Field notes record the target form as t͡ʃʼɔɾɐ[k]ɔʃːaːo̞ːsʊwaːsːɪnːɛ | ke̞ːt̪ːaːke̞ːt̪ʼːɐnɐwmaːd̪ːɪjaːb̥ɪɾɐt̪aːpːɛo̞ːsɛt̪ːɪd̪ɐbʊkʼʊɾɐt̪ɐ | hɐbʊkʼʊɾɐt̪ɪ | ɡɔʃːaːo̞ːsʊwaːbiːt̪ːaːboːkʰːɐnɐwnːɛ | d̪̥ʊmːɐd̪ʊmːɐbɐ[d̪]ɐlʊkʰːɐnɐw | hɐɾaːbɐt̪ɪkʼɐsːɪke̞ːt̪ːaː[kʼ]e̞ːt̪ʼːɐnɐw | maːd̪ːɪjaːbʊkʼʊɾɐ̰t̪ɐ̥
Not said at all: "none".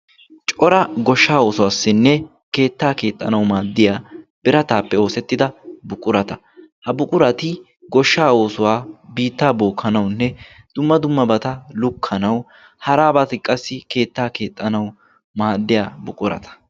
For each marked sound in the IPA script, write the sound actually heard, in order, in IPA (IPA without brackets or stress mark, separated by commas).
ɡ, t̪, k